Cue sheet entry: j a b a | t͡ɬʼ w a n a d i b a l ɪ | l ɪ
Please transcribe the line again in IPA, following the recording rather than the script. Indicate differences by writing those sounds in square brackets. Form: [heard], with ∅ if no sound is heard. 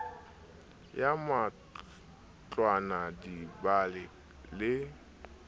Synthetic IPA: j a [m] a | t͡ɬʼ w a n a d i b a l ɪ | l ɪ